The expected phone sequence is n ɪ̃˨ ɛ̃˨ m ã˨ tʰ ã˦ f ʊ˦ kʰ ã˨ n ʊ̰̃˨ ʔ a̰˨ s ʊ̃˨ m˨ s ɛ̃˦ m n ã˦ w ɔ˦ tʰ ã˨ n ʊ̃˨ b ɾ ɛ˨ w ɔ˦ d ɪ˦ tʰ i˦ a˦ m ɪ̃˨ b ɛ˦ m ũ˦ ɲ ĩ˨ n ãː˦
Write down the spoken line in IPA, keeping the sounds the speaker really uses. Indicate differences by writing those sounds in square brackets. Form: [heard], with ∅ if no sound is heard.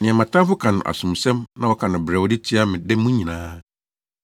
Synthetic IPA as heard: n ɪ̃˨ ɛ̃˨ m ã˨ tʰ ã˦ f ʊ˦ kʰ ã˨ n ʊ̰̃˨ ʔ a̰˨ s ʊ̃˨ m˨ s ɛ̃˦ m n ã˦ w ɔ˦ [kʰ] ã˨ n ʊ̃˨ b ɾ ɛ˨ w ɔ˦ d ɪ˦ tʰ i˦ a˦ m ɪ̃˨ [d] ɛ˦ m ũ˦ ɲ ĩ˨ n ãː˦